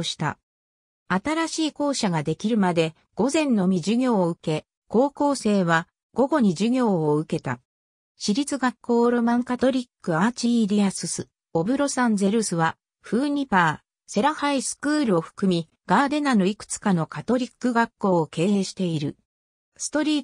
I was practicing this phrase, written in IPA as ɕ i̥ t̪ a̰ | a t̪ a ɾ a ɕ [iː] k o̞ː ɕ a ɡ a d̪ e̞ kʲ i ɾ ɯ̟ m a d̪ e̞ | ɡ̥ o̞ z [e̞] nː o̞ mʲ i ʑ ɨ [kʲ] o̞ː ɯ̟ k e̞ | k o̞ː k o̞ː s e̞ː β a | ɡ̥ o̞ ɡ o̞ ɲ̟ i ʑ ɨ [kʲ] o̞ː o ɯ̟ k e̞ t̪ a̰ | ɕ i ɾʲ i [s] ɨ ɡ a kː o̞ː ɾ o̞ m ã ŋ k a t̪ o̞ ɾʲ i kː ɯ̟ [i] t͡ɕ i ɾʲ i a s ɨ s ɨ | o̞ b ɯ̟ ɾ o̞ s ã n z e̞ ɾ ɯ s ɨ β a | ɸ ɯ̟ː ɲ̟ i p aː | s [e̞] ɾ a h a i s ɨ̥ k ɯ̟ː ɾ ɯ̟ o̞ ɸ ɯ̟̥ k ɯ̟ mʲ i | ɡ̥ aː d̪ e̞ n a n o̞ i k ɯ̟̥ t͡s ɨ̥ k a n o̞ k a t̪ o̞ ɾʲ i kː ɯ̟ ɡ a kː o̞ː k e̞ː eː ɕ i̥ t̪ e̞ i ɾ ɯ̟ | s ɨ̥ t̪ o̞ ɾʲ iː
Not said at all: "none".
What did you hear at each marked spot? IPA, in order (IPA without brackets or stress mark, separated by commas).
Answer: iː, ẽ̞, ɡʲ, ɡʲ, t͡s, a, e̞